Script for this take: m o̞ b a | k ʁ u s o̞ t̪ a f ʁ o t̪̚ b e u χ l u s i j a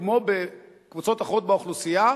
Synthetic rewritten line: m o̞ b e | k v u t͡s o̞ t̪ a χ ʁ o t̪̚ b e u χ l u s i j a